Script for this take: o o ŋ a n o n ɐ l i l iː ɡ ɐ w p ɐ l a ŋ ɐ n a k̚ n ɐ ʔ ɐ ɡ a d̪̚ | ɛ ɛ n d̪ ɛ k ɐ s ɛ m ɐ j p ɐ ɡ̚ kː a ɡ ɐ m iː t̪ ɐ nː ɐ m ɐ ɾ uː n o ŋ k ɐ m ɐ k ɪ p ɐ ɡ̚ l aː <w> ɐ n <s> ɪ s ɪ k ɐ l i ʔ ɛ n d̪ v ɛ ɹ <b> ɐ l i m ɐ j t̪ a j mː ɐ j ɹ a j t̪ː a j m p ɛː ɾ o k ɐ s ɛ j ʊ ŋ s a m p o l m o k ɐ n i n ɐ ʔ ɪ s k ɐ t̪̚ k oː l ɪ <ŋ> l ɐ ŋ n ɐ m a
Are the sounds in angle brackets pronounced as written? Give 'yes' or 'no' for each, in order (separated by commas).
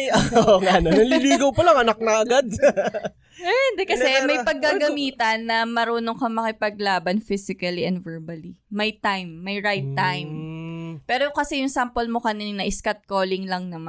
no, no, yes, yes